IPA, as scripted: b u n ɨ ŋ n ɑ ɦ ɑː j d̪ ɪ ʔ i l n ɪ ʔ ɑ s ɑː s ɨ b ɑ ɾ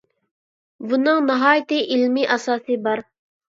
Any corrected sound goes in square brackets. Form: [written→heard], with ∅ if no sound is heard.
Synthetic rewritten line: b u n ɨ ŋ n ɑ ɦ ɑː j [d̪→t̪] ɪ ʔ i l [n→m] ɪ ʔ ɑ s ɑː s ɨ b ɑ ɾ